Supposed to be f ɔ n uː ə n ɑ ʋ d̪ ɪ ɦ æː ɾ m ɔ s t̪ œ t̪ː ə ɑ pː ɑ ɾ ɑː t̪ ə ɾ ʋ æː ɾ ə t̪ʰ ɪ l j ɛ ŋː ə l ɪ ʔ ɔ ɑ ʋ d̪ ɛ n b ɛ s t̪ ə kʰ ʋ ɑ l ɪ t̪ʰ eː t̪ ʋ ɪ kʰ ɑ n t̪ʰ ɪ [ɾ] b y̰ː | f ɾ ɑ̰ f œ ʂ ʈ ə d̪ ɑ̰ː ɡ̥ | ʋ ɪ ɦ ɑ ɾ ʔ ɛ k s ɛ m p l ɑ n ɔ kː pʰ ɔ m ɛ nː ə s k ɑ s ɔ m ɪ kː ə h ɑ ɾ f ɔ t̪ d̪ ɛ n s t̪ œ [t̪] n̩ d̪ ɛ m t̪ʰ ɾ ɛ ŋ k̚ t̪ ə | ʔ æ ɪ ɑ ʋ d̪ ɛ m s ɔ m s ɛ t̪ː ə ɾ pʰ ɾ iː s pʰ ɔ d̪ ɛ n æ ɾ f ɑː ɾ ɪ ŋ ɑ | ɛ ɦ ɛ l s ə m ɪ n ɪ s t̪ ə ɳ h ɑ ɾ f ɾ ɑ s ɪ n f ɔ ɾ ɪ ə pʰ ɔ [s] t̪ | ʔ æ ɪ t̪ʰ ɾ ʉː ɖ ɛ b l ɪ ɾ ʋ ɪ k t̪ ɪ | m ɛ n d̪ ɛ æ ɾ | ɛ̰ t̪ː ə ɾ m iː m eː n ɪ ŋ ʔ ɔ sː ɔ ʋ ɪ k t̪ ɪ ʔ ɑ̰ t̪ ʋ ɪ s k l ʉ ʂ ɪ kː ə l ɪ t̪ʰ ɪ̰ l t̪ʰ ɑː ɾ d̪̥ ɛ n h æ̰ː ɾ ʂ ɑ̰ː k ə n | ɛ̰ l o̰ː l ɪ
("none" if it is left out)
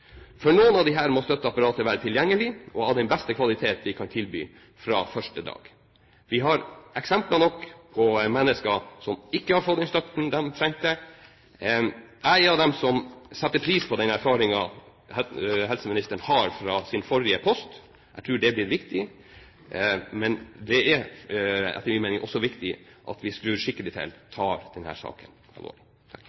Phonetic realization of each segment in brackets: l, t̪, s

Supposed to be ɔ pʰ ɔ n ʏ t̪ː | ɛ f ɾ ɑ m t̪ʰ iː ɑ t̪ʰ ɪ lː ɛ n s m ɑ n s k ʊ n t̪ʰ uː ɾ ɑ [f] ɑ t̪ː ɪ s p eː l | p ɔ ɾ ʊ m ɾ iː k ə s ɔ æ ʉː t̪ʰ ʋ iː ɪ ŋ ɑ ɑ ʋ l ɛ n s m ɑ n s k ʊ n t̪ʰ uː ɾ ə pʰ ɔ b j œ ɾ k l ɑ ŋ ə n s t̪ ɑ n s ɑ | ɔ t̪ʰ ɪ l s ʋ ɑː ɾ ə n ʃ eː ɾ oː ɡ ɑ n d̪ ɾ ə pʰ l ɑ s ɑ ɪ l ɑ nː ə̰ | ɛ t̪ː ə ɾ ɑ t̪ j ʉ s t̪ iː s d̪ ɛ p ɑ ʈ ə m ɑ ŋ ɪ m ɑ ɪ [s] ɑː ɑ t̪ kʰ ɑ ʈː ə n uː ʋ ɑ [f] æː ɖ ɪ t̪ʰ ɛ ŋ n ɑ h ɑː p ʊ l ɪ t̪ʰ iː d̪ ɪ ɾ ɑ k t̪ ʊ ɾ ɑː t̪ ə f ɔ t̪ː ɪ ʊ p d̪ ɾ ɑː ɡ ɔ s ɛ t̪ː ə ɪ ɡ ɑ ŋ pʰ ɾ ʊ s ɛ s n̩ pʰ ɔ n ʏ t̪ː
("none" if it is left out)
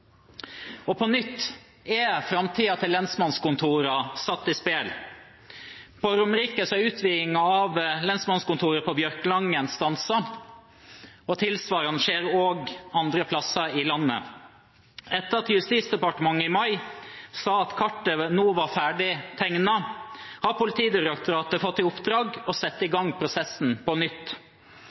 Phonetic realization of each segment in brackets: s, s, f

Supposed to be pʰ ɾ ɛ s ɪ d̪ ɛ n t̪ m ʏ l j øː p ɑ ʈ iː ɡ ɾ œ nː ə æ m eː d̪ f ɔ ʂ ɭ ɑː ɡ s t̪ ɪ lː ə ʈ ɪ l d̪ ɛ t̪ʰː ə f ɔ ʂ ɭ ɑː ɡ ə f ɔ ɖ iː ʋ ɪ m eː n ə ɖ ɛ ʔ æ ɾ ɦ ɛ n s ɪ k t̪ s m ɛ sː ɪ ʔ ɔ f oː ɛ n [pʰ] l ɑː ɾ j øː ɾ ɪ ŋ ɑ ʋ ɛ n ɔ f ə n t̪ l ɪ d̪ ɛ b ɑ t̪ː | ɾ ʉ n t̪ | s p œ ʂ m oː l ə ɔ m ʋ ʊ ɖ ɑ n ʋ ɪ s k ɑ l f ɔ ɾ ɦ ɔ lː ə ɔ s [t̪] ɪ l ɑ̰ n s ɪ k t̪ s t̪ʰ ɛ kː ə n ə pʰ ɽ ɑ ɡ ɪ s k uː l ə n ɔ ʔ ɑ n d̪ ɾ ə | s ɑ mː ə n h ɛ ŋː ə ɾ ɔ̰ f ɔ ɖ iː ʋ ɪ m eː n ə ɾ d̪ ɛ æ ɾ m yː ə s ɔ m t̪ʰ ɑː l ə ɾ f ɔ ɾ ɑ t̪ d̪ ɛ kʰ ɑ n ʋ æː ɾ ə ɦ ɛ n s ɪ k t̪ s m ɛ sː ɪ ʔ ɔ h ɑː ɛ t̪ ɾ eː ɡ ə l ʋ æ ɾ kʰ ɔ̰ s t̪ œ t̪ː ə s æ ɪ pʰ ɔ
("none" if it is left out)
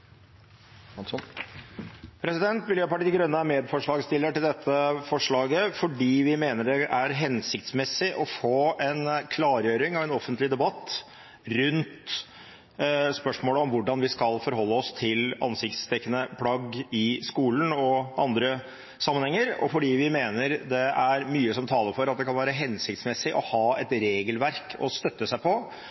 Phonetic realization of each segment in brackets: kʰ, t̪ʰ

